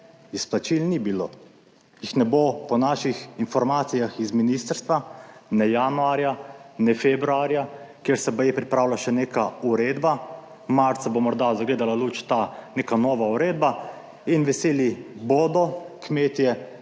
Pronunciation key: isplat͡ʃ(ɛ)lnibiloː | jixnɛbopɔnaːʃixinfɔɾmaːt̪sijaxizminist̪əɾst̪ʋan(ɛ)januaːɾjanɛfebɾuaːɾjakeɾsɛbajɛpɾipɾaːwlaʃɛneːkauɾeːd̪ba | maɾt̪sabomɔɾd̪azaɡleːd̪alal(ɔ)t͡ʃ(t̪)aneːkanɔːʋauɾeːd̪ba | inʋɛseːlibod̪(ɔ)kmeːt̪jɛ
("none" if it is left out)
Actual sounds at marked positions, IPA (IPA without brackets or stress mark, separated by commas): i, ɛ, u, t̪, ɔ